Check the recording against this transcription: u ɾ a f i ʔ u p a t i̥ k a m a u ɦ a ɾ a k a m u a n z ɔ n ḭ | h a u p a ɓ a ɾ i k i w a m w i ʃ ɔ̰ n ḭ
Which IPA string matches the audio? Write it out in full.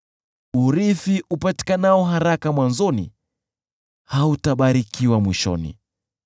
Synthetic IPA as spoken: u ɾ i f i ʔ u p a t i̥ k a n a ɔ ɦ a ɾ a k a m w a n z ɔ n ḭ | h a u t a ɓ a ɾ i k i w a m w i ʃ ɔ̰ n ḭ